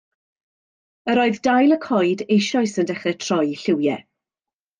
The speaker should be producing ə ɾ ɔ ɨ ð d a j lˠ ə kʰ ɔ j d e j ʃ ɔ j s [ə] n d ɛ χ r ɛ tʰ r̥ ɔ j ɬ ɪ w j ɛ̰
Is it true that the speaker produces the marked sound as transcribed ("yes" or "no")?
yes